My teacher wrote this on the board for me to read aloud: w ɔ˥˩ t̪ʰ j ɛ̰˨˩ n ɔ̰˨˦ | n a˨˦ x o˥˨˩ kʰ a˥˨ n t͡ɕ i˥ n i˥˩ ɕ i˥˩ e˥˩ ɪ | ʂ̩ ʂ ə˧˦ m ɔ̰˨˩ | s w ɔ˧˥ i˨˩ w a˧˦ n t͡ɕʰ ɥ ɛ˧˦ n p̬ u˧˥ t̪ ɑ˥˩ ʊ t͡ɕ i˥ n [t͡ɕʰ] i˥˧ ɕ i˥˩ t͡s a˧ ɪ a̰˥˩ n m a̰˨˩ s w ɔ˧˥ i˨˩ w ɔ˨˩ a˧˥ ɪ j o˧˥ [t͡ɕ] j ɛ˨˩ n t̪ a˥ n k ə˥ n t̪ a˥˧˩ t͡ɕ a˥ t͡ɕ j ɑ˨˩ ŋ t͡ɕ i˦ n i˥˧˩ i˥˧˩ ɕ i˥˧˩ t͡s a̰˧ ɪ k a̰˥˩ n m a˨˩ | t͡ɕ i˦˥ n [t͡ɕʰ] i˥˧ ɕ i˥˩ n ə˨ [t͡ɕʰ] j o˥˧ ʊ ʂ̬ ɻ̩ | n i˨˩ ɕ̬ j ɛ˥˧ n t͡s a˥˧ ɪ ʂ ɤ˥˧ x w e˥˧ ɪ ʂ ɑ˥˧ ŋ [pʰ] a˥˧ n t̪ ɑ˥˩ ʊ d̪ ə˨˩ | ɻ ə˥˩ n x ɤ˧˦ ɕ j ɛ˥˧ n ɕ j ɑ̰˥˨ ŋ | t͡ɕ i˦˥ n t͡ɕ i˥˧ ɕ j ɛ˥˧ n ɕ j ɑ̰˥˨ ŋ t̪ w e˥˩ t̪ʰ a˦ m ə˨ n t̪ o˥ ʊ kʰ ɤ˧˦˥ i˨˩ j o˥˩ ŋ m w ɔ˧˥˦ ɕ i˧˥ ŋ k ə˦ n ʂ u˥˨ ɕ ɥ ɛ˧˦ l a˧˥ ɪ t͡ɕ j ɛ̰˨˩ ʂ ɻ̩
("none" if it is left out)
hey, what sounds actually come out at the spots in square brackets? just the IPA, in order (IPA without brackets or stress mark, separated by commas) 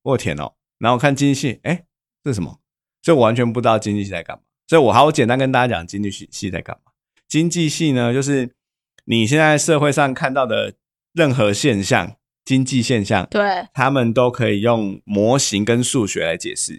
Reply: t͡ɕ, t͡ɕ, t͡ɕ, t͡ɕ, kʰ